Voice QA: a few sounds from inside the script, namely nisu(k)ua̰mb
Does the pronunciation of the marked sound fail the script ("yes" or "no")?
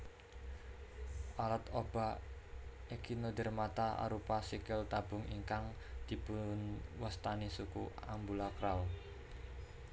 no